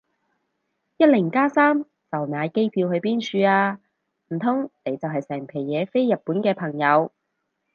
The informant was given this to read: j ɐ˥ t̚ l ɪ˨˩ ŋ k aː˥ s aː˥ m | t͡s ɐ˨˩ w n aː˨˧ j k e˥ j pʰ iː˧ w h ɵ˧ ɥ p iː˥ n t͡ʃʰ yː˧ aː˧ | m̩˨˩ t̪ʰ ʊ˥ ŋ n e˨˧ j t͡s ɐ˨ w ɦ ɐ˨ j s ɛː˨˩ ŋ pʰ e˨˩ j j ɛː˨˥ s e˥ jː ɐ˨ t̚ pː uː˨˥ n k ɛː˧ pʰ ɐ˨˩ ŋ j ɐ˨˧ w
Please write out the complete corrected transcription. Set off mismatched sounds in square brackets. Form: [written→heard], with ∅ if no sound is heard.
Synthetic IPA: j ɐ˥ t̚ l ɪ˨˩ ŋ k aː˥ s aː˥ m | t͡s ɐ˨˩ w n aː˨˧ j k e˥ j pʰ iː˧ w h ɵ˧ ɥ p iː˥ n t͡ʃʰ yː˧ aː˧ | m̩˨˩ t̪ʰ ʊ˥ ŋ n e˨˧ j t͡s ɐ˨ w ɦ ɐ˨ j s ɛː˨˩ ŋ pʰ e˨˩ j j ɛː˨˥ [s→f] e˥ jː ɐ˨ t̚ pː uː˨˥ n k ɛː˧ pʰ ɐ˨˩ ŋ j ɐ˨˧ w